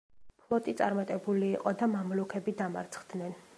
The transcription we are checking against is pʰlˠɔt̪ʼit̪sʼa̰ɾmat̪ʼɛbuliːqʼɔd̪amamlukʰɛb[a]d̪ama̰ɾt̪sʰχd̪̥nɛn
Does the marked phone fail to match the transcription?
yes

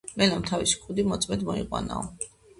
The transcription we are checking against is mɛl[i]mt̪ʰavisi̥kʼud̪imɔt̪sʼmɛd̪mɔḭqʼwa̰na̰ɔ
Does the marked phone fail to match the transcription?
yes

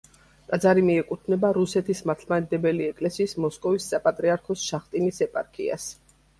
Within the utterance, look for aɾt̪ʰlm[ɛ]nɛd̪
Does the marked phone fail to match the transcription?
yes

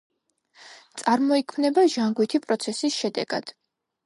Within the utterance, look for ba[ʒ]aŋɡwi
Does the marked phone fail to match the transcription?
no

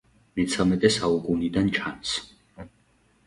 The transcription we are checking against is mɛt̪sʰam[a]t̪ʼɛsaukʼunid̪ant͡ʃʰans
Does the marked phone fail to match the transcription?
yes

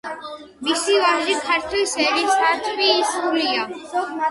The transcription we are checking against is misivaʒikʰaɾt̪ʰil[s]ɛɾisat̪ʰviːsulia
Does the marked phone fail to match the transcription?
no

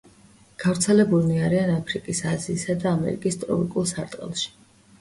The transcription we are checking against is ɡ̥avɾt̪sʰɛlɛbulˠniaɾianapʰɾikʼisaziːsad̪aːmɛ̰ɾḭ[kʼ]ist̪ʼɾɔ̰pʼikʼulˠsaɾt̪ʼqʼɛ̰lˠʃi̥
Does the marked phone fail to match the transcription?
no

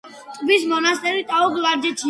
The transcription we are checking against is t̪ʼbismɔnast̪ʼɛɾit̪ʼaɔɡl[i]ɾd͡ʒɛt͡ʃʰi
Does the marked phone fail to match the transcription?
yes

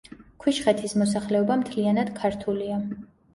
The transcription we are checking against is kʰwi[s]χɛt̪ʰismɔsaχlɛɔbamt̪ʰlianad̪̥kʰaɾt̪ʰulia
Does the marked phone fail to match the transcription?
yes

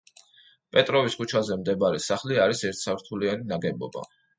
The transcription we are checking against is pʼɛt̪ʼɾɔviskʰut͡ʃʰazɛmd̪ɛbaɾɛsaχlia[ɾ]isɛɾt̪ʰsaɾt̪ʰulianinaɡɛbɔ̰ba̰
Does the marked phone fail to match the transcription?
no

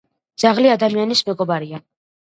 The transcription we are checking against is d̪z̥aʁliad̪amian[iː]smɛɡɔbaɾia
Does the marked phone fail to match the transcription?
yes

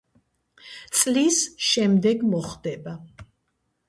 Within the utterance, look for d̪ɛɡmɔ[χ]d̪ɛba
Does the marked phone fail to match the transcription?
no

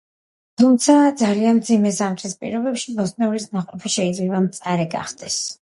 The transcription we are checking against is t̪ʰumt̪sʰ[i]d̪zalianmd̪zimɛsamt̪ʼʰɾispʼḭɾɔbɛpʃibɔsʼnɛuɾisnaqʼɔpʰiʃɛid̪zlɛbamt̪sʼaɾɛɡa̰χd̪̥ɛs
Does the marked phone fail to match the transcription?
yes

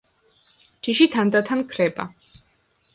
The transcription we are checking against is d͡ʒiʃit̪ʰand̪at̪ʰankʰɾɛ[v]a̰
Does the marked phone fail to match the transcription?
yes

